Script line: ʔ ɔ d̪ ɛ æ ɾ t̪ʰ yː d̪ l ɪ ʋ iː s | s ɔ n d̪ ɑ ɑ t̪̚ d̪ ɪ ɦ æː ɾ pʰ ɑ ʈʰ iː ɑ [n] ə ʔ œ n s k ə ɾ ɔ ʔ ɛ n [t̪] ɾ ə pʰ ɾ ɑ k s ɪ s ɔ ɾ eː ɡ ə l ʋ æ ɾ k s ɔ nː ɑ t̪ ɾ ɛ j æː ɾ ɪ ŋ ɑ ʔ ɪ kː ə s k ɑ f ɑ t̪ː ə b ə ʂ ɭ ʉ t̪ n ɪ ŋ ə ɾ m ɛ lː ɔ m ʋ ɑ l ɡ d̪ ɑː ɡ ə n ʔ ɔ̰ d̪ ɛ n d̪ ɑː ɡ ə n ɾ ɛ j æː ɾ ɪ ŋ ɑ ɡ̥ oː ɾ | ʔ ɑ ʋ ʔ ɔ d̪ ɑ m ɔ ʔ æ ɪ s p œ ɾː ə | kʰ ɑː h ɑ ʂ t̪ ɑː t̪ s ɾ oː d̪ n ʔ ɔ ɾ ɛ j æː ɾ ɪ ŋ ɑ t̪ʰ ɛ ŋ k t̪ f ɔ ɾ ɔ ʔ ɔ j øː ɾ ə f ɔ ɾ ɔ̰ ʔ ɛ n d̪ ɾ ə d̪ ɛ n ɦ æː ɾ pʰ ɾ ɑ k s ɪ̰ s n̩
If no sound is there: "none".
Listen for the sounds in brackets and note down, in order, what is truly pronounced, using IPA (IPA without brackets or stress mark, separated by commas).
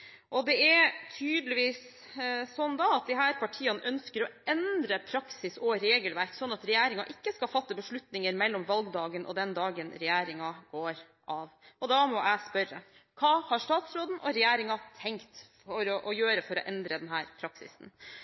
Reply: n, d̪